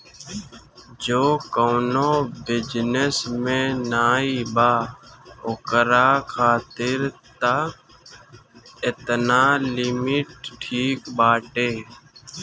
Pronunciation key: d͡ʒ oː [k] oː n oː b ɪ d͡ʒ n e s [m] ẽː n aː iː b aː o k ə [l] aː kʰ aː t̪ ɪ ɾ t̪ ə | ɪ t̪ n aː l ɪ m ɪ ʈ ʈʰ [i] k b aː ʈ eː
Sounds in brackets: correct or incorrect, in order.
correct, correct, incorrect: ɾ, incorrect: iː

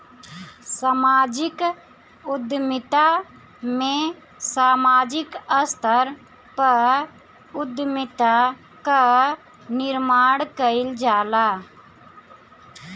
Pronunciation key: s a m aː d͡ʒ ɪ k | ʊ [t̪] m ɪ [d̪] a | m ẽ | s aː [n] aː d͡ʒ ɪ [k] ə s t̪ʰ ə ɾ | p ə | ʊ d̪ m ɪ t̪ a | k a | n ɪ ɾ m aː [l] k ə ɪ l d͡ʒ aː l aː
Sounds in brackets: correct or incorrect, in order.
incorrect: d̪, incorrect: t̪, incorrect: m, correct, incorrect: ɽ

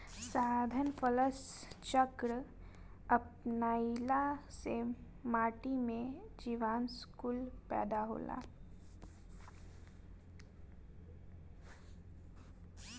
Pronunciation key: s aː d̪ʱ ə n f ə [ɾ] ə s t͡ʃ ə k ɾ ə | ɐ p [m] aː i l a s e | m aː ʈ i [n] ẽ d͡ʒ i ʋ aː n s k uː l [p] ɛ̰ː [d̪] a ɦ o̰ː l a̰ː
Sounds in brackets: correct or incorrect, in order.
incorrect: l, incorrect: n, incorrect: m, correct, correct

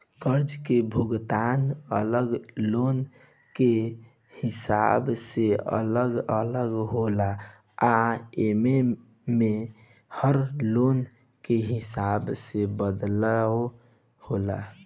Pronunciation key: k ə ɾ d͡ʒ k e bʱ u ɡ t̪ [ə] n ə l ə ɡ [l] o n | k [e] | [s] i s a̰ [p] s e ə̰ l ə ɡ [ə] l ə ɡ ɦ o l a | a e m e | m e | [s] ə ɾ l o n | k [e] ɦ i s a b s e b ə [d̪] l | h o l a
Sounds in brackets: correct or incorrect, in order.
incorrect: a, correct, correct, incorrect: h, incorrect: b, correct, incorrect: h, correct, correct

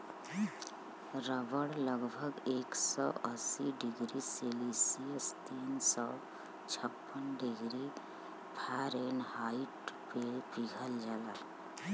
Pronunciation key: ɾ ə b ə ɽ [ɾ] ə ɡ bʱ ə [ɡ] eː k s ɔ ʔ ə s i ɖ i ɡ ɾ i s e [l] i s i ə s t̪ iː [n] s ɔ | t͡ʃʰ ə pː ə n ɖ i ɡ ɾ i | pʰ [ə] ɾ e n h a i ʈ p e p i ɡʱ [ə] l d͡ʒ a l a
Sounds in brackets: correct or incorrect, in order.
incorrect: l, correct, correct, correct, incorrect: a, correct

